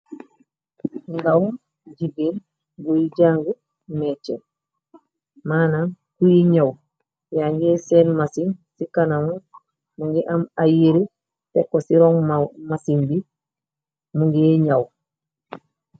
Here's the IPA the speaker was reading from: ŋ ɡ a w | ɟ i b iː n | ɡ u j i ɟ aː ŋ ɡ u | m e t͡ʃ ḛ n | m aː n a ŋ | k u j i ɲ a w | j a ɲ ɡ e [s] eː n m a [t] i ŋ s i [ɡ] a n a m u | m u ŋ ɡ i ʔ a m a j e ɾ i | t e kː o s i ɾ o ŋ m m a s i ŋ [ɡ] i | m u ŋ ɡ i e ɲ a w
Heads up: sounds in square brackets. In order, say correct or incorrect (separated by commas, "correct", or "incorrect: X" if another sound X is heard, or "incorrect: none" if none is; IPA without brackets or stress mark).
correct, incorrect: s, incorrect: k, incorrect: b